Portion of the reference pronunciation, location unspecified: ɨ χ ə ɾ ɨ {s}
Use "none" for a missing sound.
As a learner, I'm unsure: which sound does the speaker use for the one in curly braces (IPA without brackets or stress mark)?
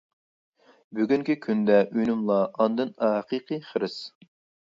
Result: s